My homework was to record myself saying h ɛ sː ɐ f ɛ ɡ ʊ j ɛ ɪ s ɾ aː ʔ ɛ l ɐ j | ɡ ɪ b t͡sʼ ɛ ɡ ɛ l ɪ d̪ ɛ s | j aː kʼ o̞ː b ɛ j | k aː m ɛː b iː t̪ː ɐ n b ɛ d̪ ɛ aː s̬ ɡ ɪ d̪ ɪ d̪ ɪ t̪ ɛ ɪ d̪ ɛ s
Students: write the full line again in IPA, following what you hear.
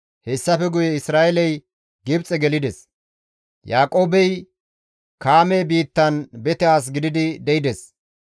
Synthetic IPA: h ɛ sː ɐ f ɛ ɡ ʊ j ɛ ɪ s ɾ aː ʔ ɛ l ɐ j | ɡ ɪ b t͡sʼ ɛ ɡ ɛ l ɪ d̪ ɛ s | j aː kʼ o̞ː b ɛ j | k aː m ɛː b iː t̪ː ɐ n b ɛ t̪ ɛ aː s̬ ɡ ɪ d̪ ɪ d̪ ɪ d̪ ɛ ɪ d̪ ɛ s

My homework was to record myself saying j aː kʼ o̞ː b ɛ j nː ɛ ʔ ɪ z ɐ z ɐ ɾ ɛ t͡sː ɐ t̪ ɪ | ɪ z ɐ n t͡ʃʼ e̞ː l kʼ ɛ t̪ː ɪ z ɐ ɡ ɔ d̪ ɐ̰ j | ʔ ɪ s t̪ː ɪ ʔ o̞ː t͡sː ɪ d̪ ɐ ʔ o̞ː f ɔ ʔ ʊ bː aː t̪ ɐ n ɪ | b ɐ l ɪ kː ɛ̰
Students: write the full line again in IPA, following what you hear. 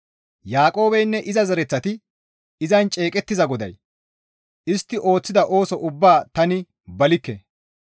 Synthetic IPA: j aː kʼ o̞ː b ɛ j nː ɛ ʔ ɪ z ɐ z ɐ ɾ ɛ t͡sː ɐ t̪ ɪ | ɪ z ɐ n t͡ʃʼ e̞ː kʼ ɛ t̪ː ɪ z ɐ ɡ ɔ d̪ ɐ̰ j | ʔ ɪ s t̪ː ɪ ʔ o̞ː t͡sː ɪ d̪ ɐ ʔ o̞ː s ɔ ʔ ʊ bː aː t̪ ɐ n ɪ | b ɐ l ɪ kː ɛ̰

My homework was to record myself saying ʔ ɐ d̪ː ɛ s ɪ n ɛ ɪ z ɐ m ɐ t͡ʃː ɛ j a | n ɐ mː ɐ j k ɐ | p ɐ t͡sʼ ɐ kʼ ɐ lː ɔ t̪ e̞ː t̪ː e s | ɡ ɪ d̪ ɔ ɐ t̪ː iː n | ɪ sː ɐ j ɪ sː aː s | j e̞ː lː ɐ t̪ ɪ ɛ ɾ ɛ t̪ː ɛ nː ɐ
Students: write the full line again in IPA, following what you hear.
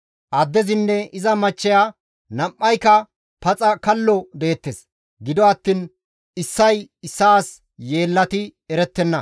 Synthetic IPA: ʔ ɐ d̪ː ɛ z ɪ nː ɛ ɪ z ɐ m ɐ t͡ʃː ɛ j a | n ɐ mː ɐ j k ɐ | p ɐ t͡sʼ ɐ k ɐ lː ɔ d̪ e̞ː t̪ː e s | ɡ ɪ d̪ ɔ ɐ t̪ː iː n | ɪ sː ɐ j ɪ sː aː s | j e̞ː lː ɐ t̪ ɪ ɛ ɾ ɛ t̪ː ɛ nː ɐ

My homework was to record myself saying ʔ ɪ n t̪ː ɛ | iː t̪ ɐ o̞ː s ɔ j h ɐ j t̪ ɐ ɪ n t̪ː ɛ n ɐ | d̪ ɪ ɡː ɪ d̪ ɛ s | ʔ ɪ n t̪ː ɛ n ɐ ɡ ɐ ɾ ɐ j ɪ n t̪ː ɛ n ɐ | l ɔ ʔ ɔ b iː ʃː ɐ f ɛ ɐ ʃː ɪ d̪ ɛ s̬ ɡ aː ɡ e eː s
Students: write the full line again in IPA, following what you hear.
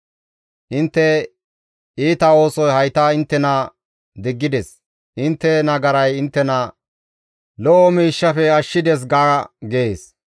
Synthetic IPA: ʔ ɪ n t̪ː ɛ | iː t̪ ɐ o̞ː s ɔ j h ɐ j t̪ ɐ ɪ n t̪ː ɛ n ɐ | d̪ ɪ ɡː ɪ d̪ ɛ s | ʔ ɪ n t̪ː ɛ n ɐ ɡ ɐ ɾ ɐ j ɪ n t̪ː ɛ n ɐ | l ɔ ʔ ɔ m iː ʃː ɐ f ɛ ɐ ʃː ɪ d̪ ɛ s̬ ɡ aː ɡ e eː s

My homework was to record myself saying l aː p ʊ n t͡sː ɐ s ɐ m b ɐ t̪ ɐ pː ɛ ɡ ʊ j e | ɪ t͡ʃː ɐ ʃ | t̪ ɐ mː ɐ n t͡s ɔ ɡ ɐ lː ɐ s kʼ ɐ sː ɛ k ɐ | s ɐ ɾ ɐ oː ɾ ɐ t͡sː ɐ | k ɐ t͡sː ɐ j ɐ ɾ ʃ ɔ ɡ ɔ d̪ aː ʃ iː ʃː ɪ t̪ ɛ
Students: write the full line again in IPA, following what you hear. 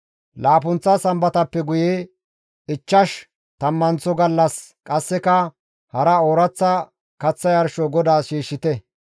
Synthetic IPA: l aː p ʊ n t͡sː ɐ s ɐ m b ɐ t̪ ɐ pː ɛ ɡ ʊ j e | ɪ t͡ʃː ɐ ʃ | t̪ ɐ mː ɐ n t͡s ɔ ɡ ɐ lː ɐ s kʼ ɐ sː ɛ k ɐ | h ɐ ɾ ɐ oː ɾ ɐ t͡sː ɐ | k ɐ t͡sː ɐ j ɐ ɾ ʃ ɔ ɡ ɔ d̪ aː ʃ iː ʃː ɪ t̪ ɛ

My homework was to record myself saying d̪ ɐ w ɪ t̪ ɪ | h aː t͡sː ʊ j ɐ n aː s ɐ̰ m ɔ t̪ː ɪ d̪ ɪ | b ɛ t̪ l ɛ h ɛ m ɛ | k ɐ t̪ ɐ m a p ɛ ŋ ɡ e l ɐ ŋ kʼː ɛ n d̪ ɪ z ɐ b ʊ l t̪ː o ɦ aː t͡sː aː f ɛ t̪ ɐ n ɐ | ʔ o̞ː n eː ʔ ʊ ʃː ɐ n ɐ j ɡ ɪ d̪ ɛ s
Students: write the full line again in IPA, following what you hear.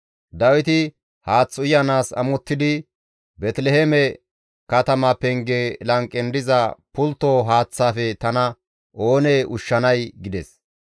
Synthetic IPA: d̪ ɐ w ɪ t̪ ɪ | h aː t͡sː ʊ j ɐ n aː s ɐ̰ m ɔ t̪ː ɪ d̪ ɪ | b ɛ t̪ l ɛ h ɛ m ɛ | k ɐ t̪ ɐ m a p ɛ ŋ ɡ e l ɐ ŋ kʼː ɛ n d̪ ɪ z ɐ p ʊ l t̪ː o ɦ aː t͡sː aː f ɛ t̪ ɐ n ɐ | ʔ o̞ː n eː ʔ ʊ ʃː ɐ n ɐ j ɡ ɪ d̪ ɛ s

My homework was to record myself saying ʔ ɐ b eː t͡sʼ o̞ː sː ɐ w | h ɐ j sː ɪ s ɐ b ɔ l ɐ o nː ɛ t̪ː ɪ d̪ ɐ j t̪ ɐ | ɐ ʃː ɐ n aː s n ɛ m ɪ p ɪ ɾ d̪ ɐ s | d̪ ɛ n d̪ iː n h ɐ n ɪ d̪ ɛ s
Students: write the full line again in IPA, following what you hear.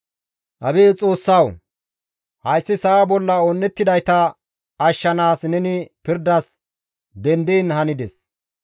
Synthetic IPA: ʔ ɐ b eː t͡sʼ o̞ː sː ɐ w | h ɐ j sː ɪ s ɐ b ɔ lː ɐ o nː ɛ t̪ː ɪ d̪ ɐ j t̪ ɐ | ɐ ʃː ɐ n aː s n ɛ n ɪ p ɪ ɾ d̪ ɐ s | d̪ ɛ n d̪ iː n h ɐ n ɪ d̪ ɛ s

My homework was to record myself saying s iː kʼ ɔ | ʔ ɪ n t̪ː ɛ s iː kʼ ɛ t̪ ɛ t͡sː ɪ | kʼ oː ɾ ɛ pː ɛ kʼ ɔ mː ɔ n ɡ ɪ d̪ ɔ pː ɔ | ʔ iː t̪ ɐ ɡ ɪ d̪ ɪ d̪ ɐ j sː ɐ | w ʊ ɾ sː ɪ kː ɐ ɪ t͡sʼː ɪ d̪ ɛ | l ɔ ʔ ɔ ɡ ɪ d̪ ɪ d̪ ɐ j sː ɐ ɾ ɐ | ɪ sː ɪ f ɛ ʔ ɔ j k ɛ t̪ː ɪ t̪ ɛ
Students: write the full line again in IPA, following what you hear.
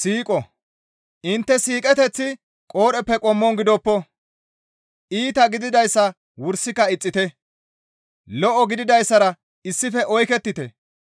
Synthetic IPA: s iː kʼ ɔ | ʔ ɪ n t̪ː ɛ s iː kʼ ɛ t̪ ɛ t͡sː ɪ | kʼ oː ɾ ɛ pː ɛ kʼ ɔ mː ɔ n ɡ ɪ d̪ ɔ pː ɔ | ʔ iː t̪ ɐ ɡ ɪ d̪ ɪ d̪ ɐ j sː ɐ | w ʊ ɾ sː ɪ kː ɐ ɪ t͡sʼː ɪ t̪ ɛ | l ɔ ʔ ɔ ɡ ɪ d̪ ɪ d̪ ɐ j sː ɐ ɾ ɐ | ɪ sː ɪ f ɛ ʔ ɔ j k ɛ t̪ː ɪ t̪ ɛ

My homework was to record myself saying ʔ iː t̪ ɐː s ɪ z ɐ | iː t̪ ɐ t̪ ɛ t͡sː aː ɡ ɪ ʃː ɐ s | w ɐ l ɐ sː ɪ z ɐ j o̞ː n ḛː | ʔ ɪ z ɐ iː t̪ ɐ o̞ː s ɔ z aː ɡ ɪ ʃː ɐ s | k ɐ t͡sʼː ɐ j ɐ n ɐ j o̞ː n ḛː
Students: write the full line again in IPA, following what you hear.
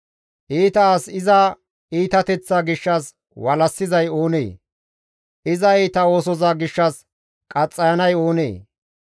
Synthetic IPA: ʔ iː t̪ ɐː s ɪ z ɐ | iː t̪ ɐ t̪ ɛ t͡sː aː ɡ ɪ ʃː ɐ s | w ɐ l ɐ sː ɪ z ɐ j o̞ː n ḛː | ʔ ɪ z ɐ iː t̪ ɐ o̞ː s ɔ z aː ɡ ɪ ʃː ɐ s | kʼ ɐ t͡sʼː ɐ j ɐ n ɐ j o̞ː n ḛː

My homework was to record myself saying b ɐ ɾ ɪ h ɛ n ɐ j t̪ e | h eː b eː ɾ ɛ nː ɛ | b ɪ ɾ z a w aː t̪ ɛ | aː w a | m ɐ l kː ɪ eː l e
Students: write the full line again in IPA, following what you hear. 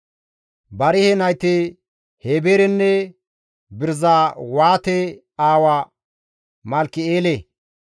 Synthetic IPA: b ɐ ɾ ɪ h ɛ n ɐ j t̪ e | h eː b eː ɾ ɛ nː ɛ | b ɪ ɾ z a w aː t̪ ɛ | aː w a | m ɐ l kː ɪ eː l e

